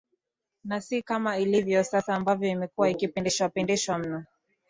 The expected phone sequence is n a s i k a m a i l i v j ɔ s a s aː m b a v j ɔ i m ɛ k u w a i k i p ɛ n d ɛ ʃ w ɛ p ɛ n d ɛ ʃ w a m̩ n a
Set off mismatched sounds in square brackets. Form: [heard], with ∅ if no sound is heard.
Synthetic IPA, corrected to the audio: n a s i k a m a i l i v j ɔ s a s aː m b a v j ɔ i m ɛ k u w a i k i p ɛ n d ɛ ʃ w [a] p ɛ n d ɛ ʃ w a m̩ n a